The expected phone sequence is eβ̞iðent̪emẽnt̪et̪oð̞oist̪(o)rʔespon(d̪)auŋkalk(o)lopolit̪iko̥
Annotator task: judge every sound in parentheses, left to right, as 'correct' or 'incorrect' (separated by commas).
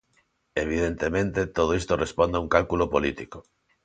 correct, correct, incorrect